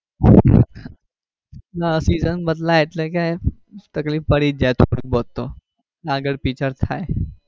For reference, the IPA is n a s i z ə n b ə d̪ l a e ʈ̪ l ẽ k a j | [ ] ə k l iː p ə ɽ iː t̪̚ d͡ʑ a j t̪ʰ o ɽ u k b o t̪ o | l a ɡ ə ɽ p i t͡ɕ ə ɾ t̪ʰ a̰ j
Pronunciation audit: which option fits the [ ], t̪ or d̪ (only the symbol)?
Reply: t̪